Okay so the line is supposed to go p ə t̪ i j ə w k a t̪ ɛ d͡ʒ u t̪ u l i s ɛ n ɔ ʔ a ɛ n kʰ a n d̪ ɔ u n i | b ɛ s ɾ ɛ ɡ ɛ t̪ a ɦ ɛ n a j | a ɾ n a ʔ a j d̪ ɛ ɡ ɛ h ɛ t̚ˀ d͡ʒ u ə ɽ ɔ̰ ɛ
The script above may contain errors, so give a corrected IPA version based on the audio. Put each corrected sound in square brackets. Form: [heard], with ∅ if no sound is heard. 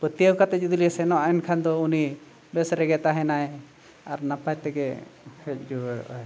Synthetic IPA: p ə t̪ i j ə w k a t̪ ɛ d͡ʒ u [d̪] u l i s ɛ n ɔ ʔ a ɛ n kʰ a n d̪ ɔ u n i | b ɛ s ɾ ɛ ɡ ɛ t̪ a ɦ ɛ n a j | a ɾ n a [p] a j [t̪] ɛ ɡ ɛ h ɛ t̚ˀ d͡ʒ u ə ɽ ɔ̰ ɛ